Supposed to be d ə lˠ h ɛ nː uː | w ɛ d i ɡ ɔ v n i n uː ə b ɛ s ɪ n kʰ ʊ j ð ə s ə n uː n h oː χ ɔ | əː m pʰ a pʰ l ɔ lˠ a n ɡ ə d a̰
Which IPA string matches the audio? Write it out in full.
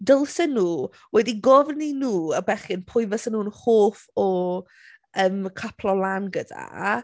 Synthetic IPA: d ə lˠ s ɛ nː uː | w ɛ d i ɡ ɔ v n i n uː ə b ɛ χ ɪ n pʰ ʊ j v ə s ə n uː n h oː f ɔ | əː m kʰ a pʰ l ɔ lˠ a n ɡ ə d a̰